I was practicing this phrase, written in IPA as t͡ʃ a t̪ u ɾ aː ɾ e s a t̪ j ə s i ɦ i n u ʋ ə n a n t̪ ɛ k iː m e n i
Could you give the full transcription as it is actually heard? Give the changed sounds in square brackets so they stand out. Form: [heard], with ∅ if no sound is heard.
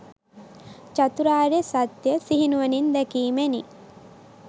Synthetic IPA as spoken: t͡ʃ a t̪ u ɾ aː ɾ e s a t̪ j ə s i ɦ i n u ʋ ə n [i] n [d̪] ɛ k iː m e n i